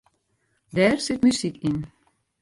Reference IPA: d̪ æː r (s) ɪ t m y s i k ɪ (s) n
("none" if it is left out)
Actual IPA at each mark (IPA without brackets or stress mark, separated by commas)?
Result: s, none